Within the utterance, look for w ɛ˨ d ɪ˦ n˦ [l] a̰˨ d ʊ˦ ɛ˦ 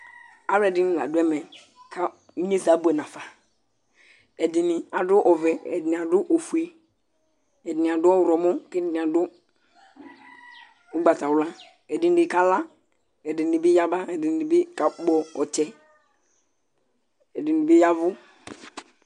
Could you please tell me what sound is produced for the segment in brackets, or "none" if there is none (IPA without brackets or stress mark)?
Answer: l